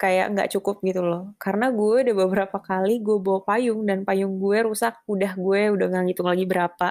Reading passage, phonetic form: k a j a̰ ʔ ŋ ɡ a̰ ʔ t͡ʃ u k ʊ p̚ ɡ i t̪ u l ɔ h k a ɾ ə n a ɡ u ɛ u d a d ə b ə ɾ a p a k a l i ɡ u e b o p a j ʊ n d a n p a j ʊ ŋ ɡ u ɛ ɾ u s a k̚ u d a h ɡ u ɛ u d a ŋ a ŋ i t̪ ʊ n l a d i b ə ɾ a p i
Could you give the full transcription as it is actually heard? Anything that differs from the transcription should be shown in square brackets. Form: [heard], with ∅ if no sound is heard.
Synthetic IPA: k a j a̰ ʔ ŋ ɡ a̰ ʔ t͡ʃ u k ʊ p̚ ɡ i t̪ u l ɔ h k a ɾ ə n a ɡ u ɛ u d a [b] ə b ə ɾ a p a k a l i ɡ u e b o p a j ʊ [ŋ] d a n p a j ʊ ŋ ɡ u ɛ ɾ u s a k̚ u d a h ɡ u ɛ u d a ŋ a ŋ i t̪ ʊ [ŋ] l a [ɡ] i b ə ɾ a p [a]